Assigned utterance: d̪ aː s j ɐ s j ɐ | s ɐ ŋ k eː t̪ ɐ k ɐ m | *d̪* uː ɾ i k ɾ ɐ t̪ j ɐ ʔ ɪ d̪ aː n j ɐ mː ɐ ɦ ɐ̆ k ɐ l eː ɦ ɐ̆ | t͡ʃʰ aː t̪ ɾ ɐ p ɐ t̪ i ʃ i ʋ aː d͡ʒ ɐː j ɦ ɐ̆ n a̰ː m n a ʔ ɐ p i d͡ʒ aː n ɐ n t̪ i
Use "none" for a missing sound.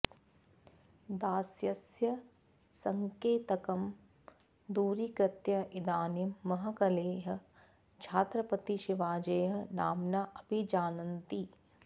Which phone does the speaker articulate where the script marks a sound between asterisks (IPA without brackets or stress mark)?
d̪